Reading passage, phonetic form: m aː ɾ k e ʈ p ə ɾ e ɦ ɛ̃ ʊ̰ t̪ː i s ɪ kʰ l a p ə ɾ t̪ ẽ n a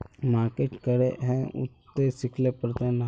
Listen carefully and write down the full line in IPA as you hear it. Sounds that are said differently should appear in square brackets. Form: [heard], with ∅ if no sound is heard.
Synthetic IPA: m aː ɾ k e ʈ [k] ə ɾ e ɦ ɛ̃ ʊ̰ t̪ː [e] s ɪ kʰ l [e] p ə ɾ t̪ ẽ n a